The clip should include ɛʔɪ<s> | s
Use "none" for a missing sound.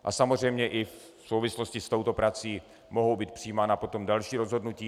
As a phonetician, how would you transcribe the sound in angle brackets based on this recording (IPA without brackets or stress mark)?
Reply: f